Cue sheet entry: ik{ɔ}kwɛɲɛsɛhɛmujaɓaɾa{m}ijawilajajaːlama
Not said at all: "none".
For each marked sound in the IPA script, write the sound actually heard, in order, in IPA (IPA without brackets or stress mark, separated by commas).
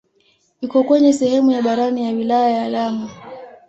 ɔ, n